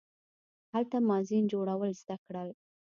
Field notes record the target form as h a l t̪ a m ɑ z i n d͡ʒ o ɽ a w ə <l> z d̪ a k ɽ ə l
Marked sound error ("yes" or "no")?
no